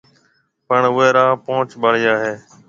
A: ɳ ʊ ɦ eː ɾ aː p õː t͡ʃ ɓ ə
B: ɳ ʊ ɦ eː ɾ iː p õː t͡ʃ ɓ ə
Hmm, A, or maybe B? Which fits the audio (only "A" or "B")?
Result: A